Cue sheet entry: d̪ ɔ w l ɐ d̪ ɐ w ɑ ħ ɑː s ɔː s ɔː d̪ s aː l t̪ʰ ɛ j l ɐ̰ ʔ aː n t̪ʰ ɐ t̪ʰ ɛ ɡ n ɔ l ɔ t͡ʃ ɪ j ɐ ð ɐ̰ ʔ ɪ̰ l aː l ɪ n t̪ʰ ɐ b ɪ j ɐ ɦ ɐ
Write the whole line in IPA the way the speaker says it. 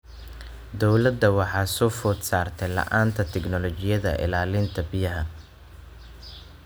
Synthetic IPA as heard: d̪ ɔ w l ɐ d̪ ɐ w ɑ ħ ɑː s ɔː f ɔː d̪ s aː r t̪ʰ ɛ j l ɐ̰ ʔ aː n t̪ʰ ɐ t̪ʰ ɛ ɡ n ɔ l ɔ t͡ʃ ɪ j ɐ ð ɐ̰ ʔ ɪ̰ l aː l ɪ n t̪ʰ ɐ b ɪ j ɐ ɦ ɐ